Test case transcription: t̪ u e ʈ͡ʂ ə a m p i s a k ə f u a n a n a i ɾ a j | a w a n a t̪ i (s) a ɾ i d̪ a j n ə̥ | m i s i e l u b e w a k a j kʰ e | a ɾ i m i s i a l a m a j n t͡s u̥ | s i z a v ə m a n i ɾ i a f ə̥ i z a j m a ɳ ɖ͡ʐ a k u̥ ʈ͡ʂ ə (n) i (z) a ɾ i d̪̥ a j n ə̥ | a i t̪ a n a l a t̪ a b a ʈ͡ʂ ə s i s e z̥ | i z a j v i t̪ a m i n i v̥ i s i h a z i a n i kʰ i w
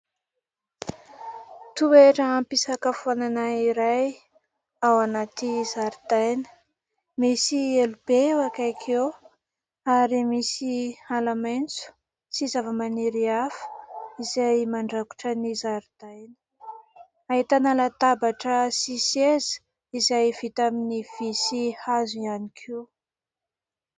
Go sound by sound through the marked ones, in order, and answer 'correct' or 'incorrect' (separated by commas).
incorrect, correct, correct